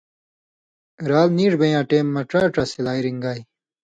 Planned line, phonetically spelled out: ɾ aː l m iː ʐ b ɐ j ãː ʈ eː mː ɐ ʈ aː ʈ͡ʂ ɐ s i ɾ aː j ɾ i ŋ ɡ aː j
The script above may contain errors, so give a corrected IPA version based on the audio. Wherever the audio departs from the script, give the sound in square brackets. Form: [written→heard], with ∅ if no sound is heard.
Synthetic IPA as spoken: ɾ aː l [m→n] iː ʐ b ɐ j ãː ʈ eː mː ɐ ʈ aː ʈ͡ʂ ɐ s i [ɾ→l] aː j ɾ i ŋ ɡ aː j